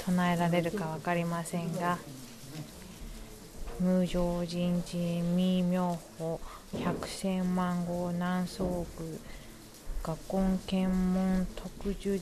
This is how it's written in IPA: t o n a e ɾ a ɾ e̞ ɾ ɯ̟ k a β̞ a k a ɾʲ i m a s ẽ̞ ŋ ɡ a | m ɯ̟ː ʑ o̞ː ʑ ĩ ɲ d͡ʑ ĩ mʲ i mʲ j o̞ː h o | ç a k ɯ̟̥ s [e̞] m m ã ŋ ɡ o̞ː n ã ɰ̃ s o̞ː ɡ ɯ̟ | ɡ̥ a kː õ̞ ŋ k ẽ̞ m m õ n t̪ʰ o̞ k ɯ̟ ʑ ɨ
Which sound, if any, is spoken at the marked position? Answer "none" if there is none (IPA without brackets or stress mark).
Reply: ẽ̞